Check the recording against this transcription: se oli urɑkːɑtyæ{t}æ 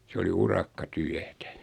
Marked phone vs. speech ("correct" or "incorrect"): correct